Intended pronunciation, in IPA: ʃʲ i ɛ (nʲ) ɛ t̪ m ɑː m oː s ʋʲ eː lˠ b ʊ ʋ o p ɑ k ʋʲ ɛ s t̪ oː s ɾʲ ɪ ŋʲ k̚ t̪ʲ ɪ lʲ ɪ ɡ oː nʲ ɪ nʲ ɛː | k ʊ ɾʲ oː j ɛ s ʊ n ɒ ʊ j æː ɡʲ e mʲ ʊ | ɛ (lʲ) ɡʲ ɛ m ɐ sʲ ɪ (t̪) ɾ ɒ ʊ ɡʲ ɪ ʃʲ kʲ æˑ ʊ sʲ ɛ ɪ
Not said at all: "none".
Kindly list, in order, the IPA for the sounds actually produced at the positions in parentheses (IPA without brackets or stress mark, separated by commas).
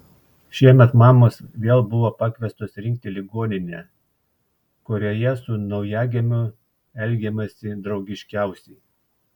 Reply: mʲ, lʲ, d̪